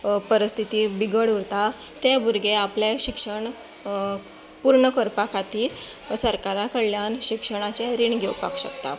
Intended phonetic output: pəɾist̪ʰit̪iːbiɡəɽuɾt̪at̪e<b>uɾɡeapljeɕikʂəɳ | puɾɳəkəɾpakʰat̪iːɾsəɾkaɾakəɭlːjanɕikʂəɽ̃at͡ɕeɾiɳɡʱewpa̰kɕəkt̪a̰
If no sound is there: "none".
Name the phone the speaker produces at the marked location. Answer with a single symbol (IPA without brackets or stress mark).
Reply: b